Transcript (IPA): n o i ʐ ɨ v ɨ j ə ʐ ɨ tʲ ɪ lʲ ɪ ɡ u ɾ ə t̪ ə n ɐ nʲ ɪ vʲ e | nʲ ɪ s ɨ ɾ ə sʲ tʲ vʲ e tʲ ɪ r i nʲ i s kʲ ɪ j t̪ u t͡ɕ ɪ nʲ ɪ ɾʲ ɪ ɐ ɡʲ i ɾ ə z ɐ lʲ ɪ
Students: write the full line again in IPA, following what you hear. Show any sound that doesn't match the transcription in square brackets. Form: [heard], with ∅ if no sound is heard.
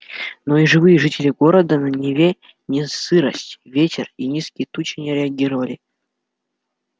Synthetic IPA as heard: n o i ʐ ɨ v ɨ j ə ʐ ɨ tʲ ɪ lʲ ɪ ɡ [o] ɾ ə [d̪] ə n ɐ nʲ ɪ vʲ e | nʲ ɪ s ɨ ɾ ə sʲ tʲ vʲ e tʲ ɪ r i nʲ i s kʲ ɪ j t̪ u t͡ɕ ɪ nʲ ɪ ɾʲ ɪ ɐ ɡʲ i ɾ ə [v] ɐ lʲ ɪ